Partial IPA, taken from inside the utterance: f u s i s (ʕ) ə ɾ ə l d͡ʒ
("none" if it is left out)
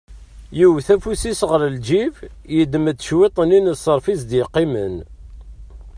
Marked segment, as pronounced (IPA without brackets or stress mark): ʁ